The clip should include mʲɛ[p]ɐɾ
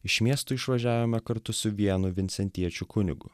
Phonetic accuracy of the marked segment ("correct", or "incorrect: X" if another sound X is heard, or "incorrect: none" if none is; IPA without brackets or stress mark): incorrect: k